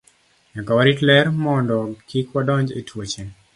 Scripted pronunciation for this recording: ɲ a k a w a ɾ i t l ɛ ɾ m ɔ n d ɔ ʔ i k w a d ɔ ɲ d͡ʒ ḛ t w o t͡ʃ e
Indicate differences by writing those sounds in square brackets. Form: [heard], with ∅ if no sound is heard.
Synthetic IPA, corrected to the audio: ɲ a k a w a ɾ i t l ɛ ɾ m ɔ n d ɔ [k] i k w a d ɔ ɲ d͡ʒ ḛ t w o t͡ʃ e